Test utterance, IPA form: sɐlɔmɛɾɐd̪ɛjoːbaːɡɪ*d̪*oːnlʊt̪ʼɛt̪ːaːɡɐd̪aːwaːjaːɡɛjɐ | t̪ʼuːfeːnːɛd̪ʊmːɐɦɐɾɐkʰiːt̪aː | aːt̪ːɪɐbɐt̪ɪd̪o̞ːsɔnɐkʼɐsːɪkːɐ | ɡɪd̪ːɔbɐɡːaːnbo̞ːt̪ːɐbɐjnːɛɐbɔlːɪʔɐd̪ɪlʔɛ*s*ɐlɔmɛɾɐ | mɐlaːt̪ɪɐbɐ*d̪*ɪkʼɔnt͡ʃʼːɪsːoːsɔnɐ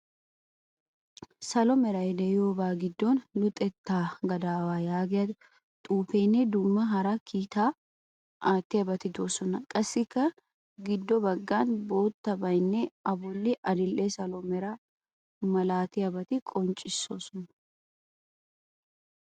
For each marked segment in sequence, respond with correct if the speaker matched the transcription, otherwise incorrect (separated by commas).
incorrect, correct, incorrect